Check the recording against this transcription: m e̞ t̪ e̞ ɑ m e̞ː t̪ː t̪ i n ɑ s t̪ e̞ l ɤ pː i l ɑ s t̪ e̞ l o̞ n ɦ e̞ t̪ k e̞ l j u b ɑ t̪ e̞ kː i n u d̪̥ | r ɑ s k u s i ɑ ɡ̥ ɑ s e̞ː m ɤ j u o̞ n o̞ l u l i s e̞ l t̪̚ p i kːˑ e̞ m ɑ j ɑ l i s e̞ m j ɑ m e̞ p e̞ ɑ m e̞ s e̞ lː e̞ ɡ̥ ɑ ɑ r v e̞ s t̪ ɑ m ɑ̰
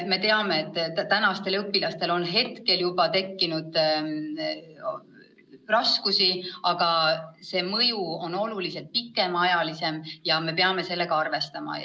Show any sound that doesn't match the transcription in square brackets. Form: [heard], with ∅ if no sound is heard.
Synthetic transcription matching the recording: m e̞ t̪ e̞ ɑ m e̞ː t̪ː t̪ [æ] n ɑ s t̪ e̞ l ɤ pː i l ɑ s t̪ e̞ l o̞ n ɦ e̞ t̪ k e̞ l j u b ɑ t̪ e̞ kː i n u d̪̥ | r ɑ s k u s i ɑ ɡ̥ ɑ s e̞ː m ɤ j u o̞ n o̞ l u l i s e̞ l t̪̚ p i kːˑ e̞ m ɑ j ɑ l i s e̞ m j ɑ m e̞ p e̞ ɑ m e̞ s e̞ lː e̞ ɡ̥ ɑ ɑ r v e̞ s t̪ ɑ m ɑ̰